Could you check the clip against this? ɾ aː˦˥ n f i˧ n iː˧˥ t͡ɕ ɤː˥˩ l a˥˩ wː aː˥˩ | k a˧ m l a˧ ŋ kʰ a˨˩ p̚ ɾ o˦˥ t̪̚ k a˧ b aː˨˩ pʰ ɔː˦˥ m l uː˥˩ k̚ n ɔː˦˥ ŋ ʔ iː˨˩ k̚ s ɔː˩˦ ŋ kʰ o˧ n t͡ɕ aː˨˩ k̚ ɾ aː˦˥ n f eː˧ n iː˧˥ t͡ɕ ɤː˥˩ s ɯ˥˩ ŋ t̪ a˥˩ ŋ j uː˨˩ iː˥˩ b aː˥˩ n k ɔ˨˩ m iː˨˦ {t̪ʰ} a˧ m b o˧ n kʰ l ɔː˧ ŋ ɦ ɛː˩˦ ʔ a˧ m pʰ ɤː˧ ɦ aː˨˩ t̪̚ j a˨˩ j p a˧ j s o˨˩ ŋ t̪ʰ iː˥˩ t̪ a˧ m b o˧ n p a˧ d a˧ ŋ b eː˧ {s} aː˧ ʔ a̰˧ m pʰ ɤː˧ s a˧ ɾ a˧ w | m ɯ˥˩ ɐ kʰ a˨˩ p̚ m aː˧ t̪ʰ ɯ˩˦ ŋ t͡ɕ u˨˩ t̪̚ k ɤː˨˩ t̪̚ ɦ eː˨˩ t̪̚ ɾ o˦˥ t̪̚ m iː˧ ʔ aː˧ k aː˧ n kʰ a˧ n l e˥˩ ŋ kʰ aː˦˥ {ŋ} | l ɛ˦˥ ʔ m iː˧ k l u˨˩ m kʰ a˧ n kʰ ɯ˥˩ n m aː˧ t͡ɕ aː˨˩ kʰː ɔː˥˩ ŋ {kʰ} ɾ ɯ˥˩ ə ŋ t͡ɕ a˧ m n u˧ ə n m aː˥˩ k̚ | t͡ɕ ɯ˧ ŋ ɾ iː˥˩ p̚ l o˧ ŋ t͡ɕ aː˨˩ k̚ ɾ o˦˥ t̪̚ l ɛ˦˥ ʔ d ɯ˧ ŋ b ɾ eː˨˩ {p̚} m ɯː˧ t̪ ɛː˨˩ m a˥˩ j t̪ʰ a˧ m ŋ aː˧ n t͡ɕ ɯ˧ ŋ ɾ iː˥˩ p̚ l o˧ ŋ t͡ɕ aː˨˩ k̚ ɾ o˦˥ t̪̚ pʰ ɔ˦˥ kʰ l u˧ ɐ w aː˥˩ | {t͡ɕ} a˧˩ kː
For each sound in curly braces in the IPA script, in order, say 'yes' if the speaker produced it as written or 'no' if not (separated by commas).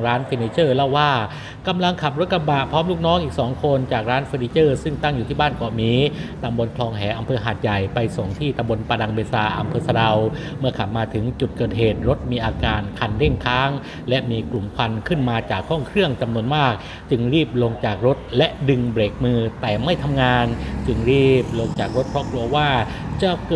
no, yes, yes, yes, no, yes